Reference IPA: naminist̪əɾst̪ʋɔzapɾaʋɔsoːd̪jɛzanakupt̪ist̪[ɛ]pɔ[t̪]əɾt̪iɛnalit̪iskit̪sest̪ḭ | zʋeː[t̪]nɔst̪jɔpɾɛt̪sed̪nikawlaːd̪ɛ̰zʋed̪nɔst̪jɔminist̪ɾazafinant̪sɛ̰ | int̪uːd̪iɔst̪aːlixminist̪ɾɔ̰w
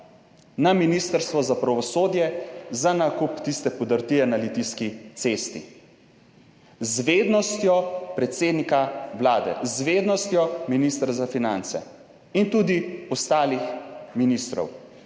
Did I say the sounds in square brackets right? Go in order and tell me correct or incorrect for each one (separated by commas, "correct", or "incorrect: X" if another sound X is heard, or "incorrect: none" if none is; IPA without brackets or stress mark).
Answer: correct, incorrect: d̪, incorrect: d̪